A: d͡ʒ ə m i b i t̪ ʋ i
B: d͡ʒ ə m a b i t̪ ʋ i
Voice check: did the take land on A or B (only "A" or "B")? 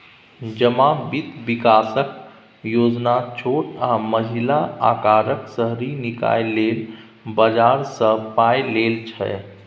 B